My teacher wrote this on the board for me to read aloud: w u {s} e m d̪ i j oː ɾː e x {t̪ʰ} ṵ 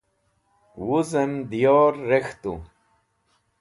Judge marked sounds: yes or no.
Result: no, no

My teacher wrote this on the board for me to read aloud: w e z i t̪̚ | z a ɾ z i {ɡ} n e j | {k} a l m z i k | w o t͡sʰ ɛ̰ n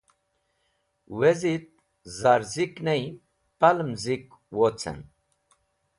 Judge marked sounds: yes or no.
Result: no, no

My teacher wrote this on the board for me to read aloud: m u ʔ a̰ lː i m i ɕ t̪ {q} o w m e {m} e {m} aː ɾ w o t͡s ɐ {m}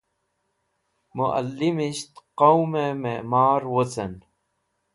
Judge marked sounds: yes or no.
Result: yes, yes, yes, no

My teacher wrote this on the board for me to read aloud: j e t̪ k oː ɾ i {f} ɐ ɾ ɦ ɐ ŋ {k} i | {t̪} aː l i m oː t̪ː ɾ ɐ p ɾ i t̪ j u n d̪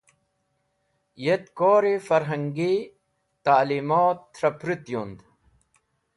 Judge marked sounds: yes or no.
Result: yes, no, yes

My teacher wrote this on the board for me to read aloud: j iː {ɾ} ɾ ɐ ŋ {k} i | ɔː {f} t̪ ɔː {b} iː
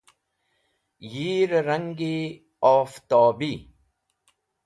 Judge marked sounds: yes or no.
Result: yes, no, yes, yes

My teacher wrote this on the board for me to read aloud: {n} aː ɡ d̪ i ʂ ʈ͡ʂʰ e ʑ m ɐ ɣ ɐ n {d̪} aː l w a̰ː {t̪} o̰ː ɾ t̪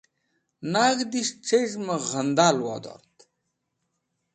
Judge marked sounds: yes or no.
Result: yes, yes, no

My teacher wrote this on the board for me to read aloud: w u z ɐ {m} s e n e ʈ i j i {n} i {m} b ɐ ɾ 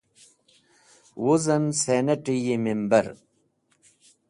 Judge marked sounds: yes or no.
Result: no, no, yes

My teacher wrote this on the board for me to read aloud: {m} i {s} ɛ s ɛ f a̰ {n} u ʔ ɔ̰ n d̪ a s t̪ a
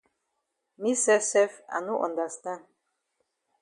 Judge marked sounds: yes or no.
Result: yes, yes, yes

